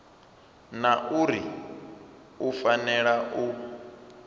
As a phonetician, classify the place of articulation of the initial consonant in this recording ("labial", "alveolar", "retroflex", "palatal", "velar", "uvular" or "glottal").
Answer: alveolar